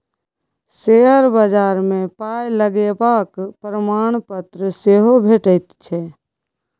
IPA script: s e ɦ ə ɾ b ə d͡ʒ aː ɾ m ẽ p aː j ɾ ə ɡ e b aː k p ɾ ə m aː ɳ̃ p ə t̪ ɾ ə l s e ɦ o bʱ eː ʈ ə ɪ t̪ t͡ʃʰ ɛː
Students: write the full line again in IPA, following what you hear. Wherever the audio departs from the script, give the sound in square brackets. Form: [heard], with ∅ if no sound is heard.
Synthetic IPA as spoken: s e ɦ ə ɾ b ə d͡ʒ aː ɾ m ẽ p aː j [l] ə ɡ e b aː k p ɾ ə m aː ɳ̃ p ə t̪ ɾ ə [∅] s e ɦ o bʱ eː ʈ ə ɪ t̪ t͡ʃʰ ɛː